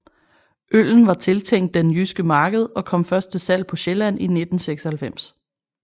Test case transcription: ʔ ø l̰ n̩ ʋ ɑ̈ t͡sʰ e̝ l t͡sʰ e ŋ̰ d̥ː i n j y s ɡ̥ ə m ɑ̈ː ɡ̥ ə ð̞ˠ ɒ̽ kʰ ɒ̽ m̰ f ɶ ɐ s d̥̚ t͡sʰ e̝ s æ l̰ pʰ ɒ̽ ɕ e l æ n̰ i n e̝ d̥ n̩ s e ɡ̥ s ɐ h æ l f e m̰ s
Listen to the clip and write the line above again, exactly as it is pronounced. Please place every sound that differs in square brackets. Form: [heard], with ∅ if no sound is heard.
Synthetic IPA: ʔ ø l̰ n̩ ʋ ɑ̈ t͡sʰ e̝ l t͡sʰ e ŋ̰ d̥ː [e] n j y s ɡ̥ ə m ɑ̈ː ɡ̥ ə ð̞ˠ ɒ̽ kʰ ɒ̽ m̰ f ɶ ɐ s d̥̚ t͡sʰ e̝ s æ l̰ pʰ ɒ̽ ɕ e l æ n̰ i n e̝ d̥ n̩ s e ɡ̥ s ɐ h æ l f e m̰ s